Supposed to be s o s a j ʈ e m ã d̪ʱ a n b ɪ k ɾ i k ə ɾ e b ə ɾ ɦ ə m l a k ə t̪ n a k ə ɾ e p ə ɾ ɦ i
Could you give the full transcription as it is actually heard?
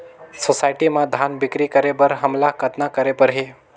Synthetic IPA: s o s a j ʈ i m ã d̪ʱ a n b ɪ k ɾ i k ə ɾ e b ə ɾ ɦ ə m l a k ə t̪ n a k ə ɾ e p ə ɾ ɦ i